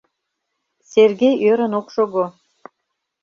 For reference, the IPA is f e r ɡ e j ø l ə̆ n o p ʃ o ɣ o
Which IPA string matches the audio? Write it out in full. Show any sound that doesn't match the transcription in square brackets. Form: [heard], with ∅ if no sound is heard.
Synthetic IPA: [s] e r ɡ e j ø [ɾ] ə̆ n o [k] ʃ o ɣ o